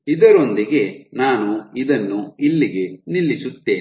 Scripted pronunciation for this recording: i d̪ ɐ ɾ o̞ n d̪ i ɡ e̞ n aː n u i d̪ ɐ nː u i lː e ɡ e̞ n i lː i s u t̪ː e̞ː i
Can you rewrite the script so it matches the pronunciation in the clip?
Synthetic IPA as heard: i d̪ ɐ ɾ o̞ n d̪ i ɡ e̞ n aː n u i d̪ ɐ nː u i lː i ɡ e̞ n i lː i s u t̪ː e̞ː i